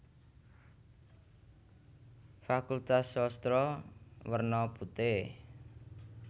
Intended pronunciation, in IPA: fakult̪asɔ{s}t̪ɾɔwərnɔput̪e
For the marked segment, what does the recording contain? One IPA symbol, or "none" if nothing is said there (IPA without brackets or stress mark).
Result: s